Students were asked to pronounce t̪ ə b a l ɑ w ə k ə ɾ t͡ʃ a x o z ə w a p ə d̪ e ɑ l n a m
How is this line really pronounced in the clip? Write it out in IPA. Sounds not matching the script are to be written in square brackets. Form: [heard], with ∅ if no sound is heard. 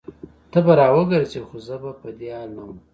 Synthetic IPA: t̪ ə b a [ɾ] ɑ w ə [ɡ] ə ɾ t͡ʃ [e] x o z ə [b] a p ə d̪ e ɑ l n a m